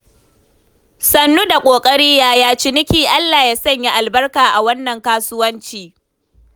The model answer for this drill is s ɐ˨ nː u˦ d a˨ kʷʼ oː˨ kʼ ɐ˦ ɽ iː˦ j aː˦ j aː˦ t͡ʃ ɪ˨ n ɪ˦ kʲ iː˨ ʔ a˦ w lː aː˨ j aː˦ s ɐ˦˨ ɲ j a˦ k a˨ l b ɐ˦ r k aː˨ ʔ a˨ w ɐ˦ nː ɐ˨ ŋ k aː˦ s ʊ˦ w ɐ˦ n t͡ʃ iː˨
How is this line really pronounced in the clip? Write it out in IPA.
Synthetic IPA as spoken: s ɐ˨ nː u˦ d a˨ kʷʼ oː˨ kʼ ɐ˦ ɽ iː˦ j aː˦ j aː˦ t͡ʃ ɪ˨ n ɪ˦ kʲ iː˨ ʔ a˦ lː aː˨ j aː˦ s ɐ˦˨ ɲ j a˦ ʔ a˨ l b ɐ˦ r k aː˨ ʔ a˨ w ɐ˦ nː ɐ˨ ŋ k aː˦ s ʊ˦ w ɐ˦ n t͡ʃ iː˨